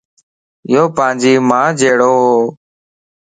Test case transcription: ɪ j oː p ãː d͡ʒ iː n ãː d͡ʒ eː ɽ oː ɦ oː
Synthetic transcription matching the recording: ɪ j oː p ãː d͡ʒ iː m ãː d͡ʒ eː ɽ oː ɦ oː